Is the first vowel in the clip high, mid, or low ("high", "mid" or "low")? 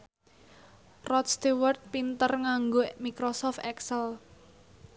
mid